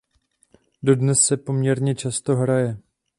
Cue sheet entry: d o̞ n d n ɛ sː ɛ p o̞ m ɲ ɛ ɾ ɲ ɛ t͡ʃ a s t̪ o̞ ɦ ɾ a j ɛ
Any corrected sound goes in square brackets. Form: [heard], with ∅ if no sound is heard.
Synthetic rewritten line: d o̞ [∅] d n ɛ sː ɛ p o̞ m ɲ ɛ ɾ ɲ ɛ t͡ʃ a s t̪ o̞ ɦ ɾ a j ɛ